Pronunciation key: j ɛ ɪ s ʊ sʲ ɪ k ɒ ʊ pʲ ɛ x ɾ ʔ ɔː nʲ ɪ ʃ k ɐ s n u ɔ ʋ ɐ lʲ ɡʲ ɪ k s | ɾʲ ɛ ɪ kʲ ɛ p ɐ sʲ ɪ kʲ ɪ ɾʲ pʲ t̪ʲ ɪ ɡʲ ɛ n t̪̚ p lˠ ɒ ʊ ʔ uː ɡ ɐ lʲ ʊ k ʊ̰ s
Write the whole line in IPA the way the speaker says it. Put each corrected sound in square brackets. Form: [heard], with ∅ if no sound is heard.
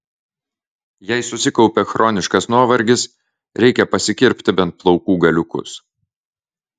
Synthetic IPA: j ɛ ɪ s ʊ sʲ ɪ k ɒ ʊ pʲ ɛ x ɾ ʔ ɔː nʲ ɪ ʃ k ɐ s n u ɔ ʋ ɐ [ɾʲ] ɡʲ ɪ [∅] s | ɾʲ ɛ ɪ kʲ ɛ p ɐ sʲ ɪ kʲ ɪ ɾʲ pʲ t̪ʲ ɪ [bʲ] ɛ n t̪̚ p lˠ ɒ ʊ [k] uː ɡ ɐ lʲ ʊ k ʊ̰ s